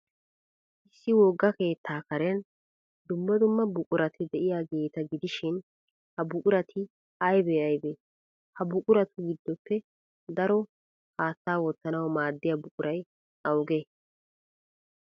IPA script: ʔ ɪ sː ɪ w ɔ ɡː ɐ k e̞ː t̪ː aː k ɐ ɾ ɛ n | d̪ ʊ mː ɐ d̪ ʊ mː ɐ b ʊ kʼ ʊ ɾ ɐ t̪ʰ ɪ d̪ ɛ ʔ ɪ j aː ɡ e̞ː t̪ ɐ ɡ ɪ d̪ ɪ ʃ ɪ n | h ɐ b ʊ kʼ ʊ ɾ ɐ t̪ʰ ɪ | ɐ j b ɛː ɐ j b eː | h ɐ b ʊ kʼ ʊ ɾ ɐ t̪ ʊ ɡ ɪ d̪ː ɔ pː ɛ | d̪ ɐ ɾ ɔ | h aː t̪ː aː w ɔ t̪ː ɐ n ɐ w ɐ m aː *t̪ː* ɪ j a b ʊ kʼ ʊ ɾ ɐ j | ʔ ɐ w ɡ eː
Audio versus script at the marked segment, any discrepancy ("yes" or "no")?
yes